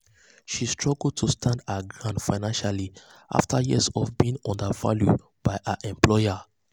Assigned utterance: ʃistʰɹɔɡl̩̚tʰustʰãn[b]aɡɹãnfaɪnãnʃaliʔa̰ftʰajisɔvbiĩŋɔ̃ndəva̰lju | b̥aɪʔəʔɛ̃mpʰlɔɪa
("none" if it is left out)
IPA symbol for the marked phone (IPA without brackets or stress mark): d